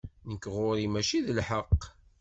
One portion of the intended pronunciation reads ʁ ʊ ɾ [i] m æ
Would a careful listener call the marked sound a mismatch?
no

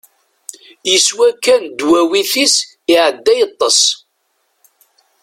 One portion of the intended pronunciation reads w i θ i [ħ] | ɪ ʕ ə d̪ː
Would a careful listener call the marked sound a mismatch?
yes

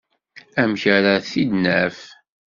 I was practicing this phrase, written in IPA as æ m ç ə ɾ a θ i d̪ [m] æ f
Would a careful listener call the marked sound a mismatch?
yes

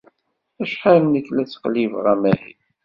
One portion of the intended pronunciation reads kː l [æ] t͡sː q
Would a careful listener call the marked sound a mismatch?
no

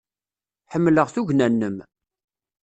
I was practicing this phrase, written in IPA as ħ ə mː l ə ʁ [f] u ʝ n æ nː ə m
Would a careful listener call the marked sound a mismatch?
yes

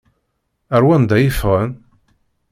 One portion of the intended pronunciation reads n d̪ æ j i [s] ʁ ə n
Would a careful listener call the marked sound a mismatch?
yes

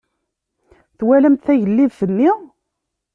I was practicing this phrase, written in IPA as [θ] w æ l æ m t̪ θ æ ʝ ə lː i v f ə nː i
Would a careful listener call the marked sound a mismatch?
no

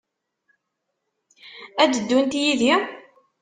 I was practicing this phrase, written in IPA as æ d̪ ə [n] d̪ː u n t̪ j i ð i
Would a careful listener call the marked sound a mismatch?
yes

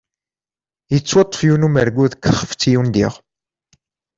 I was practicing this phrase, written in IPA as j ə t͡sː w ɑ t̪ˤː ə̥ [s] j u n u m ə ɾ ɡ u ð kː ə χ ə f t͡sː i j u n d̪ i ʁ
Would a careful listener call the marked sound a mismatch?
yes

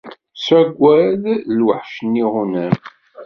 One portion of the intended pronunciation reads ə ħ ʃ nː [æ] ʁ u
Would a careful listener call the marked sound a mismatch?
yes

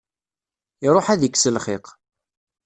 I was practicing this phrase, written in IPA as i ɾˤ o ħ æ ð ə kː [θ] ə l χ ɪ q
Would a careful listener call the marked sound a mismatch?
yes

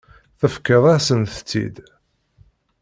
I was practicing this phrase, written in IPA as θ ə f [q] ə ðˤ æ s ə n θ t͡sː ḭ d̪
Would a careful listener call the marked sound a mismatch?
yes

